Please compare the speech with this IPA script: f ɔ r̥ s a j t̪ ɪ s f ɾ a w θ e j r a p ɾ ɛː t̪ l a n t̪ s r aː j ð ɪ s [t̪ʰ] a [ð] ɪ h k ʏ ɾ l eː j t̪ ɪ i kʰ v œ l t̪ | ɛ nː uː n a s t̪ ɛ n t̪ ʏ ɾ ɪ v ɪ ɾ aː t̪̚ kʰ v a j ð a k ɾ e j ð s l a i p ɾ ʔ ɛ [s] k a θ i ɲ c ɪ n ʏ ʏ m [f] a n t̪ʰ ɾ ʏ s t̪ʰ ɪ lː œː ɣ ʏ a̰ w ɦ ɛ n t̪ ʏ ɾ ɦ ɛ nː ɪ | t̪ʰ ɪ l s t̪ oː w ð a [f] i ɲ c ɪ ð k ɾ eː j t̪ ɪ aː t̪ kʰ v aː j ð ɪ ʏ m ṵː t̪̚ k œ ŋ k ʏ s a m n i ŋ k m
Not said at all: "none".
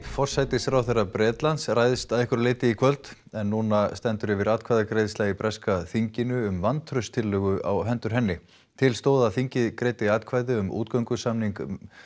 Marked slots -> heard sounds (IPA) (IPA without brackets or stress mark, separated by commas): t̪, ð, s, v, θ